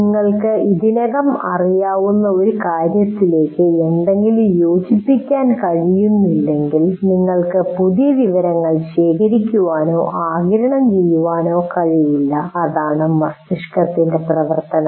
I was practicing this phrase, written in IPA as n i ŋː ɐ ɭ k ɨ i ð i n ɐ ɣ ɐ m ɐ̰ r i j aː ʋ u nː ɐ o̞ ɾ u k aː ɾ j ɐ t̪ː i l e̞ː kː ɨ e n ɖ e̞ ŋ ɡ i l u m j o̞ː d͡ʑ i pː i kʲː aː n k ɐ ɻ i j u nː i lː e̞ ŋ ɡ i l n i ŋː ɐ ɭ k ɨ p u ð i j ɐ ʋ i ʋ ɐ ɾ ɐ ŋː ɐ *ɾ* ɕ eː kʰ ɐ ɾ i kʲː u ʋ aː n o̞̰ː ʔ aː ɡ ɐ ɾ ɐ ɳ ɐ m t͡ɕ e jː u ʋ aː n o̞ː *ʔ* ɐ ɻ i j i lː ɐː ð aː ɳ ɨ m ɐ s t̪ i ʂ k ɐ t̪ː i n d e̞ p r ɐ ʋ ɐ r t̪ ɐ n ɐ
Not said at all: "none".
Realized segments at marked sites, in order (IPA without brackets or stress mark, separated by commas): ɭ, k